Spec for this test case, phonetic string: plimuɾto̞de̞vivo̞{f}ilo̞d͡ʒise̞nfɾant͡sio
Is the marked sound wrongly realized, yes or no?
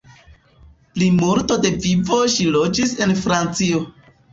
yes